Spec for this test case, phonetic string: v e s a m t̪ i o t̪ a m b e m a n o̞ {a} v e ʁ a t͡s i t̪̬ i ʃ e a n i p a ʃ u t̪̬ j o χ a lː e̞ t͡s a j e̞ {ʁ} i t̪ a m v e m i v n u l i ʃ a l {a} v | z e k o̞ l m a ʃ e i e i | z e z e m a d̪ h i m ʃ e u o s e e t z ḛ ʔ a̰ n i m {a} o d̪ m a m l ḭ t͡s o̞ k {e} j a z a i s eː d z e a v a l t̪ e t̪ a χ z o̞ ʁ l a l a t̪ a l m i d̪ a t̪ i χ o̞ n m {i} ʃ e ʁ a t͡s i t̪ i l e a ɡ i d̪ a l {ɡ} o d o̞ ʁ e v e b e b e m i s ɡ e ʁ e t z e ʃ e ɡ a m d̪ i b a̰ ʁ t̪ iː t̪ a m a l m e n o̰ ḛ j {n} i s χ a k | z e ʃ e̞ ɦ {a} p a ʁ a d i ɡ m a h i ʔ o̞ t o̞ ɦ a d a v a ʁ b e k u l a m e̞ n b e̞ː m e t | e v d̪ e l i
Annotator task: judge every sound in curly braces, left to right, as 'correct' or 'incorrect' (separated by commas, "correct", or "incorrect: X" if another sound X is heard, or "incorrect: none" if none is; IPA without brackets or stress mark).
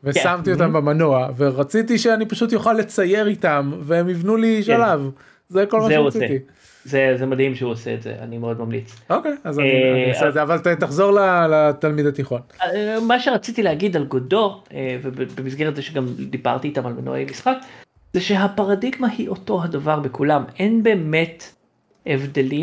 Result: correct, correct, correct, incorrect: e, correct, incorrect: a, correct, incorrect: m, correct